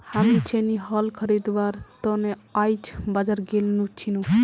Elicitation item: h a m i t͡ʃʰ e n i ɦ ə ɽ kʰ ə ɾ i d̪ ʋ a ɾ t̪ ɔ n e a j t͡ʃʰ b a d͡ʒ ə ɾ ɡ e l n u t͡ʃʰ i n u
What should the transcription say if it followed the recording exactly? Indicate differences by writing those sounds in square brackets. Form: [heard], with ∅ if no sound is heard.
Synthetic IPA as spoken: h a m i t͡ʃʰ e n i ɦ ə [l] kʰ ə ɾ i d̪ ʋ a ɾ t̪ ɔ n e a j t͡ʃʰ b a d͡ʒ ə ɾ ɡ e l n u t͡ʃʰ i n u